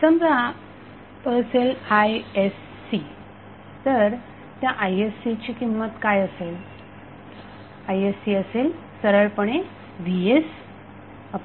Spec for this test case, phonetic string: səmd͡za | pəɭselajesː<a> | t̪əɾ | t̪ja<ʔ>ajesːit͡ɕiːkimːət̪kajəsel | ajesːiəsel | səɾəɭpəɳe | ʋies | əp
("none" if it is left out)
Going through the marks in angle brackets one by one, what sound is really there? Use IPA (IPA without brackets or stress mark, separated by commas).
i, ʔ